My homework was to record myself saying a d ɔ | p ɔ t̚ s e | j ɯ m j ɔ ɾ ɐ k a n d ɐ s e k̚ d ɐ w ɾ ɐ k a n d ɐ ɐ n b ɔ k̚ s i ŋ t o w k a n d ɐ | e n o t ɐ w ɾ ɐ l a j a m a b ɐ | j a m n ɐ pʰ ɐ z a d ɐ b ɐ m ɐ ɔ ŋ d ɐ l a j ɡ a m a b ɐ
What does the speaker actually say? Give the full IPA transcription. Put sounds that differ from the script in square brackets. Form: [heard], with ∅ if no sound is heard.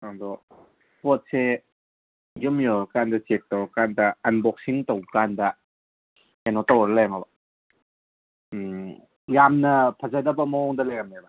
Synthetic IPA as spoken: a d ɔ | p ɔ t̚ s e | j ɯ m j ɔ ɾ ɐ k a n d ɐ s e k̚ [t] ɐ w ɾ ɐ k a n d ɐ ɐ n b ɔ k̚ s i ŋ t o w k a n d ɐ | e n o t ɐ w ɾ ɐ l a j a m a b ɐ | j a m n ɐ pʰ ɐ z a d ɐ b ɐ m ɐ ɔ ŋ d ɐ l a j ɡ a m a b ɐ

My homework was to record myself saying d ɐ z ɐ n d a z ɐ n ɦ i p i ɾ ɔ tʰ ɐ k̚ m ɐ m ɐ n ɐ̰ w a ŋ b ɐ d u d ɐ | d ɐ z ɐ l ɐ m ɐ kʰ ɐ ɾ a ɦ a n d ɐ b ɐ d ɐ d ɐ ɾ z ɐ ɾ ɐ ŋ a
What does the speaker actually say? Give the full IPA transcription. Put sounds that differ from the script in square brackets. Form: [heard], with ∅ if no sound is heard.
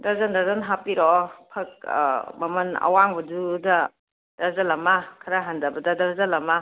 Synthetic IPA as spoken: d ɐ z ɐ n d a z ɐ n ɦ [a] p i ɾ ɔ [pʰ] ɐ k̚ m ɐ m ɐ n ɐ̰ w a ŋ b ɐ d u d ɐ | d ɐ z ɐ l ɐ m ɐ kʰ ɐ ɾ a ɦ a n d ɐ b ɐ d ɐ d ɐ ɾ z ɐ [l] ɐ [m] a

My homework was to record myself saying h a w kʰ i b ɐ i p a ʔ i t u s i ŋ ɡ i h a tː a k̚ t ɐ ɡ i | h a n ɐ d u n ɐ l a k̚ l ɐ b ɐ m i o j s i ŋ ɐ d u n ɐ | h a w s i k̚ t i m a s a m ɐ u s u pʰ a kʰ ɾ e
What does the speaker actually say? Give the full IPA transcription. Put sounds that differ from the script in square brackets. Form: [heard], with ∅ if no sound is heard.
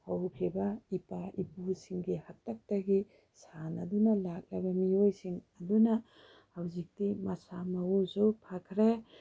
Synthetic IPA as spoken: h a w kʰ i b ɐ i p a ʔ i [p] u s i ŋ ɡ i h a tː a k̚ t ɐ ɡ i | [s] a n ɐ d u n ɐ l a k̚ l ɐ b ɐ m i o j s i ŋ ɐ d u n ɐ | h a w [z] i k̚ t i m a s a m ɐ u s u pʰ a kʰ ɾ e

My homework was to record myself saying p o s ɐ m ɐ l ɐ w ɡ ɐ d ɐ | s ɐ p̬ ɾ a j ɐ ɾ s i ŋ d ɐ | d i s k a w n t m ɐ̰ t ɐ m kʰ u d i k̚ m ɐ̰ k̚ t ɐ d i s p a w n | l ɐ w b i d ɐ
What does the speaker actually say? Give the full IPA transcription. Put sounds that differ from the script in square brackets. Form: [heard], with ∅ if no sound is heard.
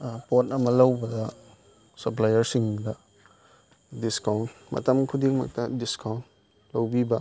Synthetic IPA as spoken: p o [t] ɐ m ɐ l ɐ w [b] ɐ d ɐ | s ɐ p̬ [l] a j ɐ ɾ s i ŋ d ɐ | d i s k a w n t m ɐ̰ t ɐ m kʰ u d i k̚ m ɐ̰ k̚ t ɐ d i s [k] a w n | l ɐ w b i [b] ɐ

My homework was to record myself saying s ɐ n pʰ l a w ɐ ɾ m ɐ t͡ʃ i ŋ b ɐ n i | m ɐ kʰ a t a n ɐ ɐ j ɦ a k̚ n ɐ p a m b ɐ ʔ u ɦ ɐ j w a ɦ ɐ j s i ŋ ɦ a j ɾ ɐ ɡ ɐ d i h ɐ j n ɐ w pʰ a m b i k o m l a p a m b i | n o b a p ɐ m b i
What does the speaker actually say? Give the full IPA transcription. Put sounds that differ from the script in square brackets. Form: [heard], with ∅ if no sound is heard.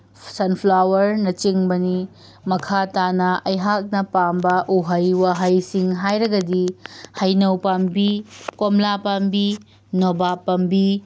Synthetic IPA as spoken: s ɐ n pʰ l a w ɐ ɾ [n] ɐ t͡ʃ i ŋ b ɐ n i | m ɐ kʰ a t a n ɐ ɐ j ɦ a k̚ n ɐ p a m b ɐ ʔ u ɦ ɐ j w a ɦ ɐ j s i ŋ ɦ a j ɾ ɐ ɡ ɐ d i h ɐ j n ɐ w [p] a m b i k o m l a p a m b i | n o b a p ɐ m b i

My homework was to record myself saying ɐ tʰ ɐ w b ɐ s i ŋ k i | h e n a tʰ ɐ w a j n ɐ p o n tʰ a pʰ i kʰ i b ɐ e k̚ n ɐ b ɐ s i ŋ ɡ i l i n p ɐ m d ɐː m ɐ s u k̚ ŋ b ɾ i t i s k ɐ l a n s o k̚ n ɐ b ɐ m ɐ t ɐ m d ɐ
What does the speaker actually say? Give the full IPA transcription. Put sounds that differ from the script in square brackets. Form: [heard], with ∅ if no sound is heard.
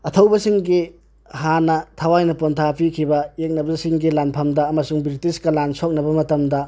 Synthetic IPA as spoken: ɐ tʰ ɐ w b ɐ s i ŋ [ɡ] i | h [a] n [ɐ] tʰ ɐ w a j n ɐ p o n tʰ a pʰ i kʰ i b ɐ e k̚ n ɐ b ɐ s i ŋ ɡ i l [a] n [pʰ] ɐ m d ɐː m ɐ s u [∅] ŋ b ɾ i t i s k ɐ l a n s o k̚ n ɐ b ɐ m ɐ t ɐ m d ɐ

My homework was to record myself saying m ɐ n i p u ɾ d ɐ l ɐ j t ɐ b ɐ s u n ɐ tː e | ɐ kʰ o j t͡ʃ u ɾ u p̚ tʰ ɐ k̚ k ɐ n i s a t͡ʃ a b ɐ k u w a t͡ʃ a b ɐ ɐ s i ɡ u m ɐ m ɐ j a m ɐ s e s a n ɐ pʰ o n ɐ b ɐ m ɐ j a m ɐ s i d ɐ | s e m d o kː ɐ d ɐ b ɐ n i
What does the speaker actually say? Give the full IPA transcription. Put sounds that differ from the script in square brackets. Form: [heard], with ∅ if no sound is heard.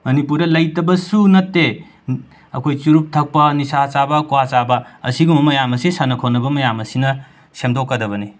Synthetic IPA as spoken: m ɐ n i p u ɾ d ɐ l ɐ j t ɐ b ɐ s u n ɐ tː e | ɐ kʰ o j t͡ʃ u ɾ u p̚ tʰ ɐ k̚ [p] ɐ n i s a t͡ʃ a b ɐ k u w a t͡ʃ a b ɐ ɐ s i ɡ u m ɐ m ɐ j a m ɐ s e s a n ɐ [kʰ] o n ɐ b ɐ m ɐ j a m ɐ s i [n] ɐ | s e m d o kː ɐ d ɐ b ɐ n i

